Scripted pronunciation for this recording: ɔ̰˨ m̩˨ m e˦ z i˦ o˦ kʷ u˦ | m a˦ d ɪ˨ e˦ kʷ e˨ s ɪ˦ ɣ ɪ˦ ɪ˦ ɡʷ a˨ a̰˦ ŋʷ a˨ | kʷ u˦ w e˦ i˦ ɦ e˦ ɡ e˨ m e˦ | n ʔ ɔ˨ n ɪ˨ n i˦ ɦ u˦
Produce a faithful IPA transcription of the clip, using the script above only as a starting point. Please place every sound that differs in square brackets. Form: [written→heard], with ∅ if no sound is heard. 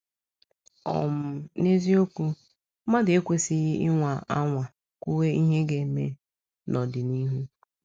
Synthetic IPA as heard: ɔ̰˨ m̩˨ [m→n] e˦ z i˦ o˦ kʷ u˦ | m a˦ d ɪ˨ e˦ kʷ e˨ s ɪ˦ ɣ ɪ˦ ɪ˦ [ɡʷ→ŋʷ] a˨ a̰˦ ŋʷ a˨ | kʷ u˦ w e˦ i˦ ɦ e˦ ɡ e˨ m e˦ | n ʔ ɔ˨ [n→d] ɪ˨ n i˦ ɦ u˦